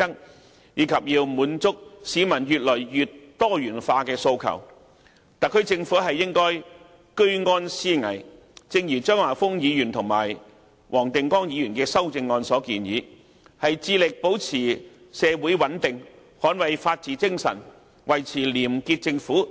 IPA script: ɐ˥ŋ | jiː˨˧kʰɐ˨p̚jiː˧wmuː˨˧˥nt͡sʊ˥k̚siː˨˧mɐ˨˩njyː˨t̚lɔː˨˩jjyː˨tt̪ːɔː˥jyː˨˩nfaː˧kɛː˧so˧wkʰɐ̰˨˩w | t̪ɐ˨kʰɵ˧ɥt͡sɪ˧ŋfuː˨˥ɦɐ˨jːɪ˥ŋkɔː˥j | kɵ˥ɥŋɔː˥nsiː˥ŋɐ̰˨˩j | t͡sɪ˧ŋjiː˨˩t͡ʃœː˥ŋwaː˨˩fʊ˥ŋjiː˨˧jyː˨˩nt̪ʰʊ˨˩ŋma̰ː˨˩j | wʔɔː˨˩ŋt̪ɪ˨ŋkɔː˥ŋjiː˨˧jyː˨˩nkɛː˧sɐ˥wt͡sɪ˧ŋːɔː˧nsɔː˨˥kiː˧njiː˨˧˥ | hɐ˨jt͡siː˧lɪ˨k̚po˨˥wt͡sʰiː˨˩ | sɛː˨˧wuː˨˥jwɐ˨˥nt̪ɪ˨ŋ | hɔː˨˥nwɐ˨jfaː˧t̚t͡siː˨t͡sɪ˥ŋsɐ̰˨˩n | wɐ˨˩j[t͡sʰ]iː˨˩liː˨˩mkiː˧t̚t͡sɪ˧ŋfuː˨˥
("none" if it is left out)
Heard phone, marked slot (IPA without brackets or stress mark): t͡sʰ